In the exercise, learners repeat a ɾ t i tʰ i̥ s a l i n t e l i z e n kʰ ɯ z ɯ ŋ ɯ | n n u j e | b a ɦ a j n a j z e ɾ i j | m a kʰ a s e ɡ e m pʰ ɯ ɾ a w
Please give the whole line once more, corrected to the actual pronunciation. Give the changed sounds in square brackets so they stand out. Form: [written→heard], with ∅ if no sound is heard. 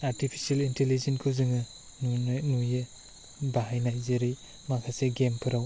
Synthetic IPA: a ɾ t i [tʰ→pʰ] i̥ s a l i n t e l i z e n kʰ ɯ z ɯ ŋ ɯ | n n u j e | b a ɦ a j n a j z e ɾ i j | m a kʰ a s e ɡ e m pʰ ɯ ɾ a w

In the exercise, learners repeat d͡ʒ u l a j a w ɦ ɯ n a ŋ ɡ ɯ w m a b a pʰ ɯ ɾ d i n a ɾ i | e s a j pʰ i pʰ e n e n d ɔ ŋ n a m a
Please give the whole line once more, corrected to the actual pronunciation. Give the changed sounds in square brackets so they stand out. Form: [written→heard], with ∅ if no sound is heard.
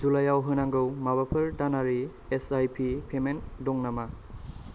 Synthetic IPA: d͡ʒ u l a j a w ɦ ɯ n a ŋ ɡ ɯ w m a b a pʰ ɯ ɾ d [i→a] n a ɾ i | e s a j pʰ i pʰ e [n→m] e n d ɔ ŋ n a m a

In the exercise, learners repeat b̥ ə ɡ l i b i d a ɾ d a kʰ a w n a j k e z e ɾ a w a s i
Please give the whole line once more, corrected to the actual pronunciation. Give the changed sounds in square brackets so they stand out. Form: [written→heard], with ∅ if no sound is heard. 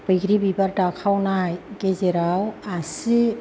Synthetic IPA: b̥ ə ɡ [l→ɾ] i b i [d→b] a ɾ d a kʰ a w n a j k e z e ɾ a w a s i

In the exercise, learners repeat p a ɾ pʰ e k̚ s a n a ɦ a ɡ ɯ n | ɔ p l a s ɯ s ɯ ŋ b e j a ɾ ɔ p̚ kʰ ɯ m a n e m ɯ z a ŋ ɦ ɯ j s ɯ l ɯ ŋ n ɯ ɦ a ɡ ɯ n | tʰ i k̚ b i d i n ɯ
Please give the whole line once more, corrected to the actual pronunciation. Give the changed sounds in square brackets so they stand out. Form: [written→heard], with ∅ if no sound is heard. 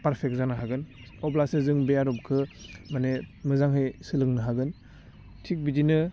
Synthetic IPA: p a ɾ pʰ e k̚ [s→z] a n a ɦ a ɡ ɯ n | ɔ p l a s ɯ [s→z] ɯ ŋ b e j a ɾ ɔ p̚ kʰ ɯ m a n e m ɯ z a ŋ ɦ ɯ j s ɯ l ɯ ŋ n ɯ ɦ a ɡ ɯ n | tʰ i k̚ b i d i n ɯ

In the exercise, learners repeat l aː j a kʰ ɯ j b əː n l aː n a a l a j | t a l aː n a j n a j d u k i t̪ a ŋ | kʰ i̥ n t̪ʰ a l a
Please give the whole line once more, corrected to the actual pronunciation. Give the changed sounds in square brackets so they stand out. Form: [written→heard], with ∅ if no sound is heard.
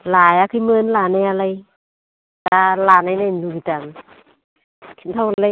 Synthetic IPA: l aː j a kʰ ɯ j [b→m] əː n l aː n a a l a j | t a l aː n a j n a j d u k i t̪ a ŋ | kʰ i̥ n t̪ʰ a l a

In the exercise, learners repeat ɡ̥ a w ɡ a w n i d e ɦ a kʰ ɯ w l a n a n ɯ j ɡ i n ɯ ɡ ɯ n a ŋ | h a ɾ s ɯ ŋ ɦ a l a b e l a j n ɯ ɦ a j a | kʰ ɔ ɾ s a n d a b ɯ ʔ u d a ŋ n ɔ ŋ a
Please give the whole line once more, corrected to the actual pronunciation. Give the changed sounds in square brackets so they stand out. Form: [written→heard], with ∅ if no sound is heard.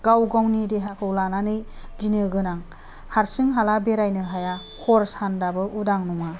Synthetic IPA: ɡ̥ a w ɡ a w n i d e ɦ a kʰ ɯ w l a n a n ɯ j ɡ i n ɯ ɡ ɯ n a ŋ | h a ɾ s ɯ ŋ ɦ a l a b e [l→ɾ] a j n ɯ ɦ a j a | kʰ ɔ ɾ s a n d a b ɯ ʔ u d a ŋ n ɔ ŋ a

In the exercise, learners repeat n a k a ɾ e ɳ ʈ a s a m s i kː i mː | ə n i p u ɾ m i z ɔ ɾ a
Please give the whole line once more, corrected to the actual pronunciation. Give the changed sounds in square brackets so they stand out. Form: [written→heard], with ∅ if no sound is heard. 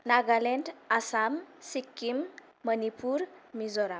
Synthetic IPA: n a [k→ɡ] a [ɾ→l] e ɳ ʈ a s a m s i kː i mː | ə n i p u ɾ m i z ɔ ɾ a

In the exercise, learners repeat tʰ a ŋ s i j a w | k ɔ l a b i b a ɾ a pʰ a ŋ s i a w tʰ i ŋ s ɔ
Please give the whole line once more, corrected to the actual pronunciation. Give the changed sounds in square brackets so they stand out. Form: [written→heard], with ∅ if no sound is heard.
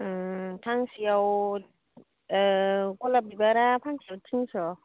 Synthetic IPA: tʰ a ŋ s i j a w | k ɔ l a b i b a ɾ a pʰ a ŋ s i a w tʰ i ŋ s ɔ

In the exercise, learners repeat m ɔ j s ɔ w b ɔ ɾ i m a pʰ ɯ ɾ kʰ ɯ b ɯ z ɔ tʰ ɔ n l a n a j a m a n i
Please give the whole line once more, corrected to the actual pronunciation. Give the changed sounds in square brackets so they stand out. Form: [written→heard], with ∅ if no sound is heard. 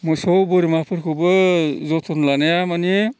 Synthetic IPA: m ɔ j s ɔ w b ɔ ɾ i m a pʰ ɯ ɾ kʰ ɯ b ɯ z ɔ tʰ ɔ n l a n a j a m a n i

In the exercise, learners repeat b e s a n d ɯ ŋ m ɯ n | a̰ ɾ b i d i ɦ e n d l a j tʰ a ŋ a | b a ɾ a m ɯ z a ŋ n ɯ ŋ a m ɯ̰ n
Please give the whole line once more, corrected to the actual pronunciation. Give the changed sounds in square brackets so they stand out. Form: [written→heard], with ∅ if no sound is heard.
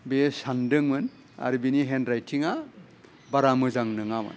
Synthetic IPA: b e s a n d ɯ ŋ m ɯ n | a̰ ɾ b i [d→n] i ɦ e n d [l→ɾ] a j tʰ [a→i] ŋ a | b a ɾ a m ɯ z a ŋ n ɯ ŋ a m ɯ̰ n

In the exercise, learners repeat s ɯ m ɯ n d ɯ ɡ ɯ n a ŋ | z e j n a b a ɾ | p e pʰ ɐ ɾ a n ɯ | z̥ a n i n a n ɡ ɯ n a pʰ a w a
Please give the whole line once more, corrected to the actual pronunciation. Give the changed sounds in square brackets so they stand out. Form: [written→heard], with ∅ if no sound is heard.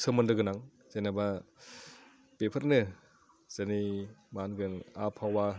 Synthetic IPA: s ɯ m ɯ n d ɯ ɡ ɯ n a ŋ | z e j n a b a [ɾ→∅] | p e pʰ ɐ ɾ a n ɯ | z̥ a n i [n→m] a n ɡ ɯ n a pʰ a w a

